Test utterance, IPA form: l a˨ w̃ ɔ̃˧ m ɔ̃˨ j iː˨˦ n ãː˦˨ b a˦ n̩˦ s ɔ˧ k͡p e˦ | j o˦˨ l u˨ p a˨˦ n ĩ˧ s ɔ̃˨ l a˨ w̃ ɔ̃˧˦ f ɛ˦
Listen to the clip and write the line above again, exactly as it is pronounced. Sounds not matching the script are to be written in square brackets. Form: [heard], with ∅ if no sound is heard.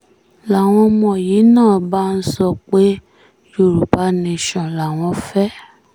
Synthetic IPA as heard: l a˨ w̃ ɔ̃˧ m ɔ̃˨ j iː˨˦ n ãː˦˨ b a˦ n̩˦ s ɔ˧ k͡p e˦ | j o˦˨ [ɾ] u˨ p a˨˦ n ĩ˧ [ʃ] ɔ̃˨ l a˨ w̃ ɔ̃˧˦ f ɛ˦